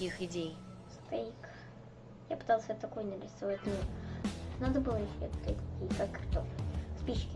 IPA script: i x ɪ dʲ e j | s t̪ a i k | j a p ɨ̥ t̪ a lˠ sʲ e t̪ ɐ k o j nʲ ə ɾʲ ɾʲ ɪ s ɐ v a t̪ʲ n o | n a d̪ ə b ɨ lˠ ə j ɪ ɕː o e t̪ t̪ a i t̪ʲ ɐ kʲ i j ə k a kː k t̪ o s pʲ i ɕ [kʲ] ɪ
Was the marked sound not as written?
no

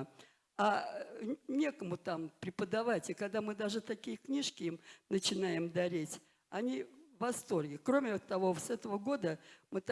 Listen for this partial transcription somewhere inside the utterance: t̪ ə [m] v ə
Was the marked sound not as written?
yes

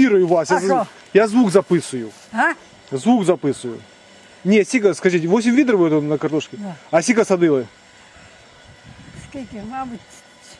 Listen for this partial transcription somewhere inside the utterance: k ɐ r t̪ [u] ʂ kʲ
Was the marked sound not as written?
yes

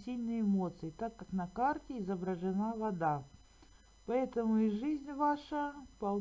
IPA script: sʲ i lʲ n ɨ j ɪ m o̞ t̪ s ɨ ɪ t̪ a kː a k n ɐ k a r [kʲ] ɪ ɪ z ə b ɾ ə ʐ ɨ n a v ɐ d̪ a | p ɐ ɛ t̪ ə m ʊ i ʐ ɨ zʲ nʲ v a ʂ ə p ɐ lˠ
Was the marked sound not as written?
yes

